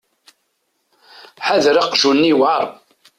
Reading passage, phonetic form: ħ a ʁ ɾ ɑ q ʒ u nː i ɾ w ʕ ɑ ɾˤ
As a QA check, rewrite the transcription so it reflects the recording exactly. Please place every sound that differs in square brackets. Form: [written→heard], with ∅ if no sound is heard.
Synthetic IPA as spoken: ħ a [ʁ→ð] ɾ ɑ q ʒ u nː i [ɾ→∅] w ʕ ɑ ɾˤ